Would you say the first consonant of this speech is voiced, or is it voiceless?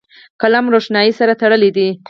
voiceless